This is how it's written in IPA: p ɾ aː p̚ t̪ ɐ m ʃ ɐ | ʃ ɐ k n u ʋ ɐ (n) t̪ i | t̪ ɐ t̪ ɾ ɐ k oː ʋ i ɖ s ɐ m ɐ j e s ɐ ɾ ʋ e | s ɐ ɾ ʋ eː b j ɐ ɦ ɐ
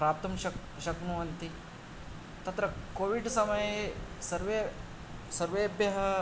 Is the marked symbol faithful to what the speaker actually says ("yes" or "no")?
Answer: yes